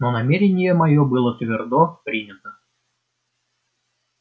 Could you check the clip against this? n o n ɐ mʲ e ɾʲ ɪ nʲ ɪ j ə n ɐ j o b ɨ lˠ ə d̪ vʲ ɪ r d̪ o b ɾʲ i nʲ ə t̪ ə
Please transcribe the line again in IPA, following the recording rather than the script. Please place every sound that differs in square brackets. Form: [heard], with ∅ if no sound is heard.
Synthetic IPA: n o n ɐ mʲ e ɾʲ ɪ nʲ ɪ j ə [m] ɐ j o b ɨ lˠ ə [t̪] vʲ ɪ r d̪ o [p] ɾʲ i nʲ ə t̪ ə